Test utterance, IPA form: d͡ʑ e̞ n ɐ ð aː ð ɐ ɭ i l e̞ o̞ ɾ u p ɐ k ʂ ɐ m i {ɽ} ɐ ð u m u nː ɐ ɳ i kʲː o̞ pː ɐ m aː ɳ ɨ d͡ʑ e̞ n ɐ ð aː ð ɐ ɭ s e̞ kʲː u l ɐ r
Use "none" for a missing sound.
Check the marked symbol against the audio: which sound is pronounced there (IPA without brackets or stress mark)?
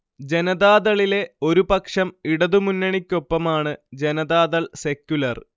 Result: ɽ